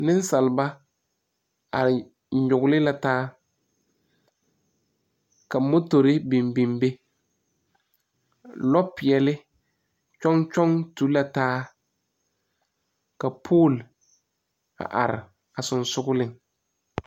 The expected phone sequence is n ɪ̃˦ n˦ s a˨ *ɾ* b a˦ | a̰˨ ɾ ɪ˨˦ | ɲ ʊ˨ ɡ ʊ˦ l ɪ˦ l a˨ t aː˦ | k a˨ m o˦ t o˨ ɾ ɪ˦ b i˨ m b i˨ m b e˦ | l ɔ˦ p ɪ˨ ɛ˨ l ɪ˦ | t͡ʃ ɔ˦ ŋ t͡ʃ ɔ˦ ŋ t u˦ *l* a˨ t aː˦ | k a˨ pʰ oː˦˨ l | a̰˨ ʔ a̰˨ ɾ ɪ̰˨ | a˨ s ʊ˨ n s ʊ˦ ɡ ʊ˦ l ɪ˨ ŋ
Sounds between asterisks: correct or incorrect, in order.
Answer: incorrect, correct

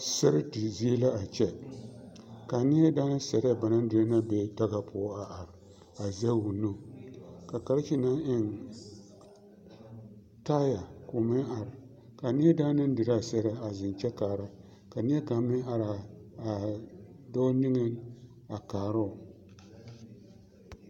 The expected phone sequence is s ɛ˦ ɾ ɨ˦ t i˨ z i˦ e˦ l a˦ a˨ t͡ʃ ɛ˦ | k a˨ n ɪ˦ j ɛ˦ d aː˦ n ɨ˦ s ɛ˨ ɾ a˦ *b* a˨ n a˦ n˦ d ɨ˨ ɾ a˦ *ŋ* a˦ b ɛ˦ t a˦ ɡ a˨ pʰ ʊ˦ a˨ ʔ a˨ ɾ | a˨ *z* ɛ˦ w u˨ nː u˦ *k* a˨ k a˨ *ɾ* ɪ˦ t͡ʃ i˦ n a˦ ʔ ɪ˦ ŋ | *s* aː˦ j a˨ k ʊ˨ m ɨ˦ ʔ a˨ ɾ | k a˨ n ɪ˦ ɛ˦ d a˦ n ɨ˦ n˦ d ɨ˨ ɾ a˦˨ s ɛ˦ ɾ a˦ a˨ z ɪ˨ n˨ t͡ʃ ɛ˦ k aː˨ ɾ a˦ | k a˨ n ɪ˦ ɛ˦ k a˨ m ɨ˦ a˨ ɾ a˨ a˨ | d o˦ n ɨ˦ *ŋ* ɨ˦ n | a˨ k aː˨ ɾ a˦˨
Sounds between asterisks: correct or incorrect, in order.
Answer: correct, incorrect, correct, correct, correct, incorrect, correct

